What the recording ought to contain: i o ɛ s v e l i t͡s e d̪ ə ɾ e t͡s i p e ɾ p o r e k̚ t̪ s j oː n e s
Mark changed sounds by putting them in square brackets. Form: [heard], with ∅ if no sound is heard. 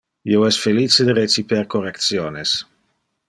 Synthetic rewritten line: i o ɛ s [f] e l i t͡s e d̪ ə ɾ e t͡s i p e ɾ [k] o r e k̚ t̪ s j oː n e s

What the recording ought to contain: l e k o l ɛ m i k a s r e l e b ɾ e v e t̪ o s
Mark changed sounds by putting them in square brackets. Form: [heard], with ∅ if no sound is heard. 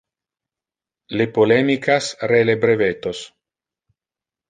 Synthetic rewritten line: l e [p] o l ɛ m i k a s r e l e b ɾ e v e t̪ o s

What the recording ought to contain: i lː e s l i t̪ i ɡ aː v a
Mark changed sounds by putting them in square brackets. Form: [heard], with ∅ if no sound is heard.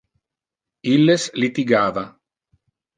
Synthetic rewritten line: i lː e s l i t̪ i ɡ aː v a

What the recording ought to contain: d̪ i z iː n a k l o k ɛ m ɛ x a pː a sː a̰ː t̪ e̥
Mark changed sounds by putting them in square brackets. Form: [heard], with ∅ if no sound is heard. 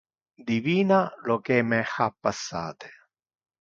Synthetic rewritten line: d̪ i [v] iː n a [∅] l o k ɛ m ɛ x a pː a sː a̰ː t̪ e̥

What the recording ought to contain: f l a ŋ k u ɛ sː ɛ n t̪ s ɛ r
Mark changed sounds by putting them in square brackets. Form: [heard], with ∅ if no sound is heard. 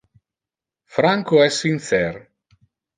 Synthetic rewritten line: f [ɾ] a ŋ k [o] ɛ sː [i] n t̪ s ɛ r

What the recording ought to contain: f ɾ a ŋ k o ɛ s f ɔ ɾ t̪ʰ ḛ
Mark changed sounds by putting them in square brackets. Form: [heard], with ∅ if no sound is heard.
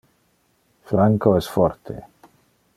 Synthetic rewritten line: f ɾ a ŋ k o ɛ s f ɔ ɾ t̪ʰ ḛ

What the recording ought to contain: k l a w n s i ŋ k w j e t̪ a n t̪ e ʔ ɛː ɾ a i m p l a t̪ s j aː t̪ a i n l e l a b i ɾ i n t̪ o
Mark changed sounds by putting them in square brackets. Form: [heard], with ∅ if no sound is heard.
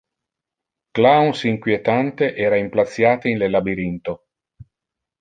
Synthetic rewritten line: k l a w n s i ŋ k w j e t̪ a n t̪ e ʔ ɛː ɾ a i m p l a t̪ [sː] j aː t̪ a i n l e l a b i ɾ i n t̪ o

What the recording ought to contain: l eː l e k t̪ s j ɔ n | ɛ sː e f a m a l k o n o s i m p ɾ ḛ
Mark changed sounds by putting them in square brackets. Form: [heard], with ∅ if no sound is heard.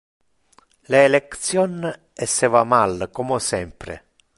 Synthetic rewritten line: l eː l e k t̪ s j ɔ n | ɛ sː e [v] a m a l k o [m] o s [ɛ] m p ɾ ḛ

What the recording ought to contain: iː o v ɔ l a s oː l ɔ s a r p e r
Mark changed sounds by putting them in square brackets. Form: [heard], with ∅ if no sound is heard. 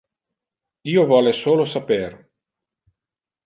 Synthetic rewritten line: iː o v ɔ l [e] s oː l [o] s a [∅] p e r

